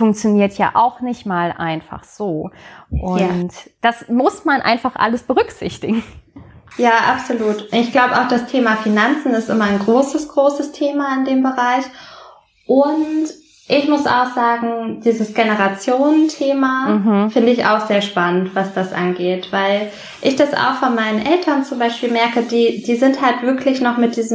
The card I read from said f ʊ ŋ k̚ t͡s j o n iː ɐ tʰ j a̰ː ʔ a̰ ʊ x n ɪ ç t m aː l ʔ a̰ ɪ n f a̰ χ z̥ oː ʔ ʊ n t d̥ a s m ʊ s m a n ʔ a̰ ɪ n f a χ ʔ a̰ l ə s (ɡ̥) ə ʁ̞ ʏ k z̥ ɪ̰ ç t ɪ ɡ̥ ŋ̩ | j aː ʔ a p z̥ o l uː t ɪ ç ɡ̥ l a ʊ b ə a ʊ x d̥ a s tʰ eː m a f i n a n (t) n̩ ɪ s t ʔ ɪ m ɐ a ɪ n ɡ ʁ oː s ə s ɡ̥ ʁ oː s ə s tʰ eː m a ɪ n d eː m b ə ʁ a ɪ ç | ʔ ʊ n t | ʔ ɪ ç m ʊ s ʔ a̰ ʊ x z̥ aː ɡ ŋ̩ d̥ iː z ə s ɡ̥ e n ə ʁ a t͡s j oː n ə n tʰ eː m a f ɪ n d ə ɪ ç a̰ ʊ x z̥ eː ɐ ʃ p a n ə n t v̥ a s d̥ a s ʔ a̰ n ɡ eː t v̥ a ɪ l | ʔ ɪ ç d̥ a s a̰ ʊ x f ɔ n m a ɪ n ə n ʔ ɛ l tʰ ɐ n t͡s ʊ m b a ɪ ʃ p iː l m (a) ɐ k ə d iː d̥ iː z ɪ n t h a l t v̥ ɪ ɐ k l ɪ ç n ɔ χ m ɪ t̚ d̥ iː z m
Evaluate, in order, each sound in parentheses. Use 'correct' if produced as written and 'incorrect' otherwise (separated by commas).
incorrect, incorrect, incorrect